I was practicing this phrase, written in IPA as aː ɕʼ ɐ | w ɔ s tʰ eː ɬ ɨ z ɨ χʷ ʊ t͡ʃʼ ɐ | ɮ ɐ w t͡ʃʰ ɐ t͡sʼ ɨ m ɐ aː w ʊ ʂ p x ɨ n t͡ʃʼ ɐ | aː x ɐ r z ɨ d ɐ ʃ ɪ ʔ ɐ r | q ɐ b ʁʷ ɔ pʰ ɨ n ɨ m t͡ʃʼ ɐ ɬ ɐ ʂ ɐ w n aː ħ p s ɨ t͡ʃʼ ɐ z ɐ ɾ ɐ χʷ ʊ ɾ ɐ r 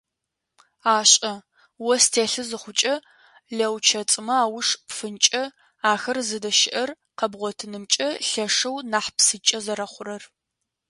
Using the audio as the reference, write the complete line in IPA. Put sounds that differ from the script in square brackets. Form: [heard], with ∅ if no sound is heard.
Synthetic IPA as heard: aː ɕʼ ɐ | w ɔ s tʰ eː ɬ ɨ z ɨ χʷ ʊ t͡ʃʼ ɐ | ɮ ɐ w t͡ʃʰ ɐ t͡sʼ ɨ m ɐ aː w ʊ ʂ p [f] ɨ n t͡ʃʼ ɐ | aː x ɐ r z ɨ d ɐ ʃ ɪ ʔ ɐ r | q ɐ b ʁʷ ɔ [tʰ] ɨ n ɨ m t͡ʃʼ ɐ ɬ ɐ ʂ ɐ w n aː ħ p s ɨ t͡ʃʼ ɐ z ɐ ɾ ɐ χʷ ʊ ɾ ɐ r